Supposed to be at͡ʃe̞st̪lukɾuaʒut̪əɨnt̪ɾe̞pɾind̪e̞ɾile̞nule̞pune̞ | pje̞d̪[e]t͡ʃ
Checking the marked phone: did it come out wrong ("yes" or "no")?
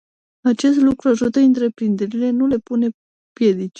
yes